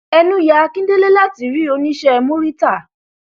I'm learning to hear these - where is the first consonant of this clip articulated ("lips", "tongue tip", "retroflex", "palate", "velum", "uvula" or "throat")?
tongue tip